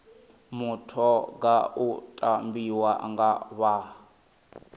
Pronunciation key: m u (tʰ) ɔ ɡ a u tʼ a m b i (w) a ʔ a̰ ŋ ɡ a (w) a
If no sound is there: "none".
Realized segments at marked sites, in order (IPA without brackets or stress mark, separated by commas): tʰ, w, β